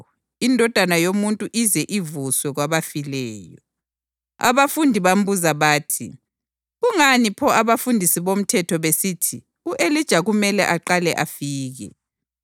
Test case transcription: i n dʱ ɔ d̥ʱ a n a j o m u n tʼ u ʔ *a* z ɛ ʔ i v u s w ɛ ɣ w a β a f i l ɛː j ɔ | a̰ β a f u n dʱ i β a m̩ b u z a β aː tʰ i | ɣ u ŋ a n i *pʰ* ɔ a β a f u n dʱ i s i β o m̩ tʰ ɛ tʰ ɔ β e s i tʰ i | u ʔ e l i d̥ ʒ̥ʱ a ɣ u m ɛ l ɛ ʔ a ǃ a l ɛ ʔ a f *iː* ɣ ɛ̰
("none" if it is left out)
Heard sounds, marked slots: i, pʰ, iː

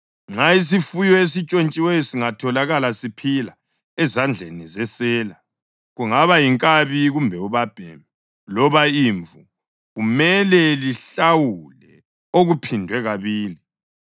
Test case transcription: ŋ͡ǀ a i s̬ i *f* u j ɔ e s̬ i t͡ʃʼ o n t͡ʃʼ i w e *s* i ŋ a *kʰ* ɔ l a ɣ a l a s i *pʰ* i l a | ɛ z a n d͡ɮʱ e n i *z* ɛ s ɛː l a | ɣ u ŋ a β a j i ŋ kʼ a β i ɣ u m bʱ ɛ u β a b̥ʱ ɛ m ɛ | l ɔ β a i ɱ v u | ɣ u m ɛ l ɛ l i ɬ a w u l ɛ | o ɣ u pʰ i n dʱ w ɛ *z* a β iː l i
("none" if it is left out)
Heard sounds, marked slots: f, s, tʰ, pʰ, z, ɣ

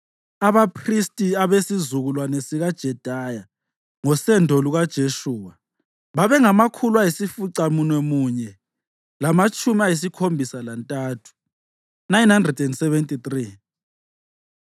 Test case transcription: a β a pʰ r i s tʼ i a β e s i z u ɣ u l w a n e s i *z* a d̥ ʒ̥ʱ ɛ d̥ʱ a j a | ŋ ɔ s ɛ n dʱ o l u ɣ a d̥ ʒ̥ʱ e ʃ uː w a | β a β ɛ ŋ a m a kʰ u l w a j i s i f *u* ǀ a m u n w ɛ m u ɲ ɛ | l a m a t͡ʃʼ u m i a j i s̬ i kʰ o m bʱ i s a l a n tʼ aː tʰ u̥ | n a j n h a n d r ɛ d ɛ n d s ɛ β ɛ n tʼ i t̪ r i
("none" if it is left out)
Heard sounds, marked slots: ɣ, u

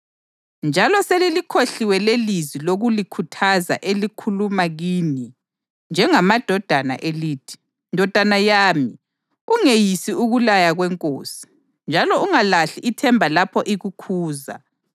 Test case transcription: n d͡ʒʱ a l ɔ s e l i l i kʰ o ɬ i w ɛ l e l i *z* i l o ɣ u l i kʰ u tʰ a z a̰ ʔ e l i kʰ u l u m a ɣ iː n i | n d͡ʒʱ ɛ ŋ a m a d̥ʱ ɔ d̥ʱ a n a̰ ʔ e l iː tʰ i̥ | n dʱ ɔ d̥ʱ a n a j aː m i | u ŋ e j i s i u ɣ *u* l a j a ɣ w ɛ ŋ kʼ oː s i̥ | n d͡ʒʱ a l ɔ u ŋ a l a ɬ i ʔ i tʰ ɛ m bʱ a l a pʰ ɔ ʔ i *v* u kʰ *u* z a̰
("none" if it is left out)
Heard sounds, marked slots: z, u, ɣ, uː

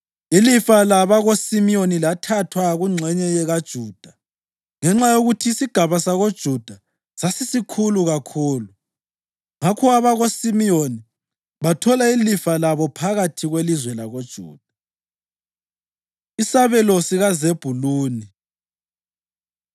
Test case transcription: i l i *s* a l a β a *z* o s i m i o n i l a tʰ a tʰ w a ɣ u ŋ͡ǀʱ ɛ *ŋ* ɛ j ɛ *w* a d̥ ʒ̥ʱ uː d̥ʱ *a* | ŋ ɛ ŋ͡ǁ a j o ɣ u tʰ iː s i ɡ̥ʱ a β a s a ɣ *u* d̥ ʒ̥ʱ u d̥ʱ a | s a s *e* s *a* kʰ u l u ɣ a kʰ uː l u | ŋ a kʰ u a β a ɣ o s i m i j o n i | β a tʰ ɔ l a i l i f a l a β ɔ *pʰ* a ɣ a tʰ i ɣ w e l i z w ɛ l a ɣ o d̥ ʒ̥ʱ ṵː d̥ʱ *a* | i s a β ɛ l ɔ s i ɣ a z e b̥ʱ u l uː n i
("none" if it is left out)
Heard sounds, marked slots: f, ɣ, ɲ, ɣ, a, o, i, i, pʰ, a

